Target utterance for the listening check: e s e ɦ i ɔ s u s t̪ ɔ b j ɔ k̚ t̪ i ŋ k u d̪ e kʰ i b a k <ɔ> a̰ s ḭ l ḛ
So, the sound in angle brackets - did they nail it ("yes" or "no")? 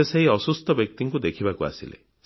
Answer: no